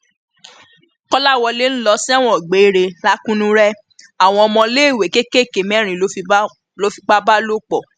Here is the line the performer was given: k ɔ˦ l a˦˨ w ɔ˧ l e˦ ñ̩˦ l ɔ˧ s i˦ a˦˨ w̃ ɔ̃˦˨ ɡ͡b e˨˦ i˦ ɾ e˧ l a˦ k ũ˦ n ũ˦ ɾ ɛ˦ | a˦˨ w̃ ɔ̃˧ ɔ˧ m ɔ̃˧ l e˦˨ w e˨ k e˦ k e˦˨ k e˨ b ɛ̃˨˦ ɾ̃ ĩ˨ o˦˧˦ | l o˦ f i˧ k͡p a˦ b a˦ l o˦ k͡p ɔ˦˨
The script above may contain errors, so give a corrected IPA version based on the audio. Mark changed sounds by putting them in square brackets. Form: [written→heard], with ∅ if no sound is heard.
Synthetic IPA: k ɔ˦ l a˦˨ w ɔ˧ l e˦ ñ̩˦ l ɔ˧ s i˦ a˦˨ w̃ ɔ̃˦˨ ɡ͡b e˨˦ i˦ ɾ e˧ l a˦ k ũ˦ n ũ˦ ɾ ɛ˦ | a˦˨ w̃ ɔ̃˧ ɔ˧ m ɔ̃˧ l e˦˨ w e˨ k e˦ k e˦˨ k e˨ [b→m] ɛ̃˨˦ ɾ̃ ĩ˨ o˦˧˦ | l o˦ f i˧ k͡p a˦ b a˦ l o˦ k͡p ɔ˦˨

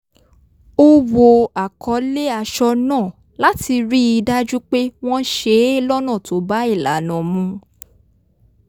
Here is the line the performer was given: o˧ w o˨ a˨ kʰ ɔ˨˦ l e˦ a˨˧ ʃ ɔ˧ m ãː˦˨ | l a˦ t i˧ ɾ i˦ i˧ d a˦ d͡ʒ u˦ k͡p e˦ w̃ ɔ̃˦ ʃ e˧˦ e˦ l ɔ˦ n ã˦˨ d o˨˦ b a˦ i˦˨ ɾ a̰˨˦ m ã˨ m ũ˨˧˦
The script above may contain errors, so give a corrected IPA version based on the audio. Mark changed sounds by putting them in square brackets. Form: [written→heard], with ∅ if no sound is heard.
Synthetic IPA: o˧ w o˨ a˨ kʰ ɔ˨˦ l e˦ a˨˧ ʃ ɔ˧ [m→n] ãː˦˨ | l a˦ t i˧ ɾ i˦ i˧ d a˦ d͡ʒ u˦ k͡p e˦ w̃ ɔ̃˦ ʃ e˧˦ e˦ l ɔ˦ n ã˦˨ [d→t] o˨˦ b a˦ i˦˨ [ɾ→l] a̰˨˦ [m→n] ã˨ m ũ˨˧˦

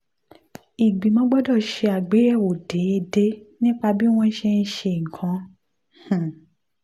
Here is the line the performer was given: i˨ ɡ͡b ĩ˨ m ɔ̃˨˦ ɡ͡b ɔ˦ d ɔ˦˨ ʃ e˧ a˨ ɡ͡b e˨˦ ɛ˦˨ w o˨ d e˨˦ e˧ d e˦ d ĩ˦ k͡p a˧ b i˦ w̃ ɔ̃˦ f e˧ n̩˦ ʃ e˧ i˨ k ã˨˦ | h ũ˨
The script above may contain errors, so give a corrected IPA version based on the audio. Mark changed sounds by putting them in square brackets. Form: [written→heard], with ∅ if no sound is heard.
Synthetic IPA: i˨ ɡ͡b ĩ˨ m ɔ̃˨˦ ɡ͡b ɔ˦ d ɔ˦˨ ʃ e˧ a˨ ɡ͡b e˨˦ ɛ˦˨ w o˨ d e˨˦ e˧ d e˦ [d→n] ĩ˦ k͡p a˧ b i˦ w̃ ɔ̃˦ [f→ʃ] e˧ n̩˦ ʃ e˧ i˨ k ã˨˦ | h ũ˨

